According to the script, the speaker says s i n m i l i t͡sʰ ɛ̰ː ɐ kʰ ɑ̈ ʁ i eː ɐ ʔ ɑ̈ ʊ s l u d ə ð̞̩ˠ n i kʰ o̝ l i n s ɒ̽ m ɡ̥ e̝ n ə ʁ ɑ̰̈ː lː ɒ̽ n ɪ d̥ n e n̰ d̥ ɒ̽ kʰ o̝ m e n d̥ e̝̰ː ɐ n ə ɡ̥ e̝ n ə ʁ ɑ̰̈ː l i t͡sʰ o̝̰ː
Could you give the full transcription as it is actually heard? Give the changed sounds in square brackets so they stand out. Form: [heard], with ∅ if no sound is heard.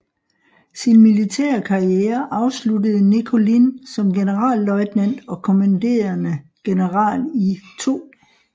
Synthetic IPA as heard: s i n m i l i t͡sʰ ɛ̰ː ɐ kʰ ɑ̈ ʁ i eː ɐ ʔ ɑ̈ ʊ s l u d ə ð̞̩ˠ n i kʰ o̝ l i n s ɒ̽ m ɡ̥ e̝ n ə ʁ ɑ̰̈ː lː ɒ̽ [∅] ɪ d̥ n [æ] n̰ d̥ ɒ̽ kʰ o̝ m [æ] n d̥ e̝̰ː ɐ n ə ɡ̥ e̝ n ə ʁ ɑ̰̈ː l i t͡sʰ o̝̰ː